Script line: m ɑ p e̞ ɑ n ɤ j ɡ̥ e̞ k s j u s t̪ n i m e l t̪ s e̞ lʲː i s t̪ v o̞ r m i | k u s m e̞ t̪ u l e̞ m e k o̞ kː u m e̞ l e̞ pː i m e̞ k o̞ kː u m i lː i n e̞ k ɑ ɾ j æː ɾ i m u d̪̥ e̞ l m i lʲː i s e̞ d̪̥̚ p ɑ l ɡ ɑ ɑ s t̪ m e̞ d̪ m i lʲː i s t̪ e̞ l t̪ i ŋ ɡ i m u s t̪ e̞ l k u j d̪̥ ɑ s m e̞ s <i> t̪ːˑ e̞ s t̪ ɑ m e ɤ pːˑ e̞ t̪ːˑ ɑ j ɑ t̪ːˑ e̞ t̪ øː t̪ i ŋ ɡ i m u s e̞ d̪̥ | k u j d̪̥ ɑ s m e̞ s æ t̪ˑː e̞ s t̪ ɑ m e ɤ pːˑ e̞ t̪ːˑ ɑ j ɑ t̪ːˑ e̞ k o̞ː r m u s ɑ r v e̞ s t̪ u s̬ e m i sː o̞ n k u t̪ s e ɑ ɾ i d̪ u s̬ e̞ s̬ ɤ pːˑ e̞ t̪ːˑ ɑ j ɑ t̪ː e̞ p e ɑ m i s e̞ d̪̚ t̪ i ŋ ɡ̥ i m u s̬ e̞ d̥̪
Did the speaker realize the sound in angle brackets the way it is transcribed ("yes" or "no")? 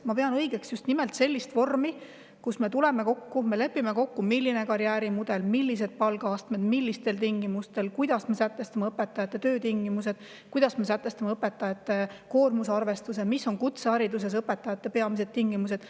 no